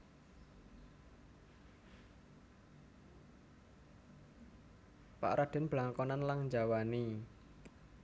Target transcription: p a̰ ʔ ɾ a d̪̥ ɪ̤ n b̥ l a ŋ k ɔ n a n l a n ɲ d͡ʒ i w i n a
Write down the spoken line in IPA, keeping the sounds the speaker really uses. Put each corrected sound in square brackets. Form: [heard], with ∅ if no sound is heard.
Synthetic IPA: p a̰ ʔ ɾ a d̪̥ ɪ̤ n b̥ l a ŋ k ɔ n a n l a [ŋ] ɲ d͡ʒ [a] w [a] n [i]

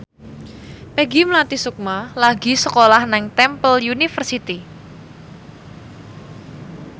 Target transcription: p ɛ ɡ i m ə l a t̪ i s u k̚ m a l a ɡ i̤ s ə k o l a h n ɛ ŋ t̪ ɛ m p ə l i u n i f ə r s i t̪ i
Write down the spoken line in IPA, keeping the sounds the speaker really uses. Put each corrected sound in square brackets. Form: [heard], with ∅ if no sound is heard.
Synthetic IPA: p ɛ ɡ i m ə l a t̪ i s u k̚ m a l a ɡ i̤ s ə k o l a h n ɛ ŋ t̪ ɛ m p ə l [j] u n i f ə r s i t̪ i

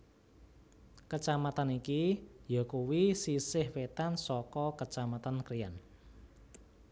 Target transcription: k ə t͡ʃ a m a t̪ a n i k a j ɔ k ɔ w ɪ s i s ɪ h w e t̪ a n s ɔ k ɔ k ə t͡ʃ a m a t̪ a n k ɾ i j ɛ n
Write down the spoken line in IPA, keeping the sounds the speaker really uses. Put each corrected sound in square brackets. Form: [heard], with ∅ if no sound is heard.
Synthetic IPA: k ə t͡ʃ a m a t̪ a n i k [i] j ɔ k [u] w [i] s i s ɪ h w e t̪ a n s ɔ k ɔ k ə t͡ʃ a m a t̪ a n k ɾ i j [a] n

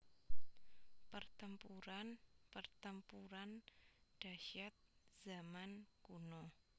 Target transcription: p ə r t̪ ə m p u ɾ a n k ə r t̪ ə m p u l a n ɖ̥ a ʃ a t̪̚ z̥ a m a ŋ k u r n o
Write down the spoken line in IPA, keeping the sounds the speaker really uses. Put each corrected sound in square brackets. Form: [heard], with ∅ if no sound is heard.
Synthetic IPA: p ə r t̪ ə m p u ɾ a n [p] ə r t̪ ə m p u [ɾ] a n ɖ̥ a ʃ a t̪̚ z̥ a m a [n] k u [∅] n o

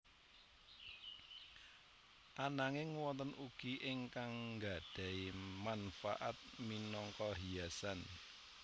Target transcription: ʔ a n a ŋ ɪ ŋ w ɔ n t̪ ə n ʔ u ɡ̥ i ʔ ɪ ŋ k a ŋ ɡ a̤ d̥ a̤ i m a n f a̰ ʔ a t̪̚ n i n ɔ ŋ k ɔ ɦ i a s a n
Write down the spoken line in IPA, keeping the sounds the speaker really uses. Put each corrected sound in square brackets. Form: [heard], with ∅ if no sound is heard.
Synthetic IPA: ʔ a n a ŋ ɪ ŋ w ɔ n t̪ ə n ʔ u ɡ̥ i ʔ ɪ ŋ k a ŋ ɡ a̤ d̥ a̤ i m a n f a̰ ʔ a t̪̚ [m] i n ɔ ŋ k ɔ ɦ i a s a n

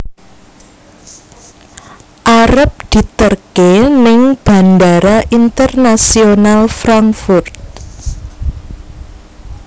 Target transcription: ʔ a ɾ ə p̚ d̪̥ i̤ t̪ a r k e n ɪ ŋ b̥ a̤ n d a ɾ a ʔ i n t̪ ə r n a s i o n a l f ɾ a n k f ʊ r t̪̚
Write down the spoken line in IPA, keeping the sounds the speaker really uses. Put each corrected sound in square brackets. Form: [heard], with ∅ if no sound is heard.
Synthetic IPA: ʔ a ɾ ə p̚ d̪̥ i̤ t̪ [ə] r k e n ɪ ŋ b̥ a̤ n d a ɾ a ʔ i n t̪ ə r n a s i o n a l f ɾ a [ŋ] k f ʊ r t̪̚

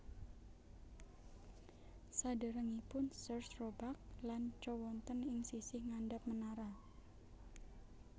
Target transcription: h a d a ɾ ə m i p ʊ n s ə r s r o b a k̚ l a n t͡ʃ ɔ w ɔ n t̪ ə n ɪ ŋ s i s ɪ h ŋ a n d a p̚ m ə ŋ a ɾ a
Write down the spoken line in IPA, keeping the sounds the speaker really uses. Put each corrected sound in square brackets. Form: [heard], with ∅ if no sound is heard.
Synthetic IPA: [s] a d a ɾ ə [ŋ] i p ʊ n s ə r s r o b a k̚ l a n t͡ʃ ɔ w ɔ n t̪ ə n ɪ ŋ s i s ɪ h ŋ a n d a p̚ m ə [n] a ɾ a

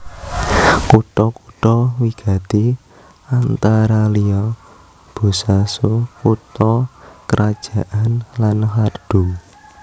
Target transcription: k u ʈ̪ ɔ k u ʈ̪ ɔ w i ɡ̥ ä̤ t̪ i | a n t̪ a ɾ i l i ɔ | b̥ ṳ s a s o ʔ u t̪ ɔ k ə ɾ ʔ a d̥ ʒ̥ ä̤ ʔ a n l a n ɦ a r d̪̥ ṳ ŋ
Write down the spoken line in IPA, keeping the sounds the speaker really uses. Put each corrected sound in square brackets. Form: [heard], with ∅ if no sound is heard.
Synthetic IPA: k u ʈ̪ ɔ k u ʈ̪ ɔ w i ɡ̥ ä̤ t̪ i | a n t̪ a ɾ [a] l i ɔ | b̥ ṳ s a s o [k] u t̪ ɔ k ə ɾ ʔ a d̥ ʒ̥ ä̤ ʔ a n l a n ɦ a r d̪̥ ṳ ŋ

